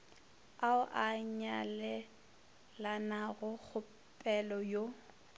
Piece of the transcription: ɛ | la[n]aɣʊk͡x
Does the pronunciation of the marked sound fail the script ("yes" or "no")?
no